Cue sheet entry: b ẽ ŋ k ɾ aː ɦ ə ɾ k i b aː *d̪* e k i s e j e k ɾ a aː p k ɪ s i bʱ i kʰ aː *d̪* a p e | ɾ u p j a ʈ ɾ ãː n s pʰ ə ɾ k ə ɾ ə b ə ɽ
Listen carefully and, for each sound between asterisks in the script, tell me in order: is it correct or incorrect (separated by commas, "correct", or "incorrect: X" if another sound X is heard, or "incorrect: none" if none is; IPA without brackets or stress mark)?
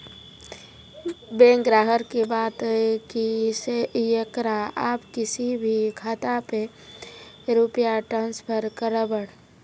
incorrect: t̪, incorrect: t̪